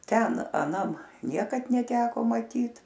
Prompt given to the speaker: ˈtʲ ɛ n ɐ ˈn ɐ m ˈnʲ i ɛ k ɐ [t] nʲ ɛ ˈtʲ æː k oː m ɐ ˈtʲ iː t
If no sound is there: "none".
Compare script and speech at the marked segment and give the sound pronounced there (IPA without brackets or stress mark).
t